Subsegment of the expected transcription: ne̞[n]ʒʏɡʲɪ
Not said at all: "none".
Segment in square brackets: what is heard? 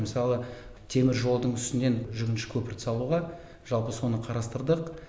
n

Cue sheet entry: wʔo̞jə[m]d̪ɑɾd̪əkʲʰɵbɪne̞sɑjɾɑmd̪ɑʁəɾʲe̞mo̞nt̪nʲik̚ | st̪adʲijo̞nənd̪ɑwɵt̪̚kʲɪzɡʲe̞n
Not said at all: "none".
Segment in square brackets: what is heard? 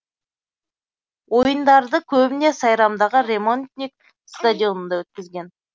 n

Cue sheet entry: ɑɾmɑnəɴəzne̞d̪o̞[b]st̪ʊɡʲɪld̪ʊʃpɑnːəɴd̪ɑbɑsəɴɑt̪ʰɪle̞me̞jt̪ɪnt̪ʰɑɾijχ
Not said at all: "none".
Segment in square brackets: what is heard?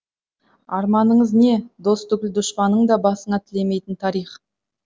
none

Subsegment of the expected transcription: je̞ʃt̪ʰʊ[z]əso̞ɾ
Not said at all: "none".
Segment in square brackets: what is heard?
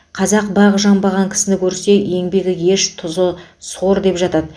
z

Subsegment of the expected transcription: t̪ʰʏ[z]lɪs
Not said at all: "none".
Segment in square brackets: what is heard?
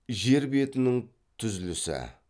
z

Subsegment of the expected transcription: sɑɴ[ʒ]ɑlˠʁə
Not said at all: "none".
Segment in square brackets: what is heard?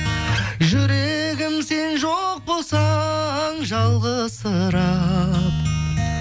ʒ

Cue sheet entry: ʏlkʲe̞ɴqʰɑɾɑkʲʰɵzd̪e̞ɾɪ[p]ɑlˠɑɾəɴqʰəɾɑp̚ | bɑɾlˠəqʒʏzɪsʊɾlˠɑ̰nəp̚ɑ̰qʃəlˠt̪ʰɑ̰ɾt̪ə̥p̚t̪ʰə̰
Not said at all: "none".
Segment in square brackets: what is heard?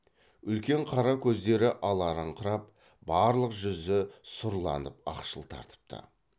ʔ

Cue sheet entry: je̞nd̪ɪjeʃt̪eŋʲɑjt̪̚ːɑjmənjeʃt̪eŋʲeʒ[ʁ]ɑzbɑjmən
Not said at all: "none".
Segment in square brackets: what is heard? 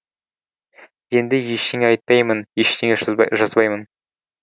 ʒ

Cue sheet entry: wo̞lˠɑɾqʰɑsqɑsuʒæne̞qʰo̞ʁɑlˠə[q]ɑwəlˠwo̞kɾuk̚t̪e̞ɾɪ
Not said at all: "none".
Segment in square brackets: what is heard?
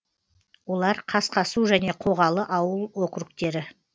ʔ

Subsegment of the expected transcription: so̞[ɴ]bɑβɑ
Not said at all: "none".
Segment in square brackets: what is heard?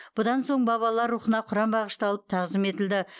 ɴ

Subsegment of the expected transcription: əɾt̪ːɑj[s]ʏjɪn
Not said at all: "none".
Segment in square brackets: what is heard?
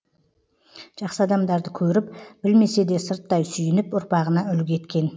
s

